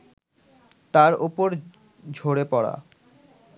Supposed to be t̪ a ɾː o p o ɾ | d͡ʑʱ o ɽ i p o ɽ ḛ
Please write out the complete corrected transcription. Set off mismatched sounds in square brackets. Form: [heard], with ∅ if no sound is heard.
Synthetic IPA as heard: t̪ a [ɾ] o p o ɾ | d͡ʑʱ o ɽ [e] p [ɔ] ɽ [a̰]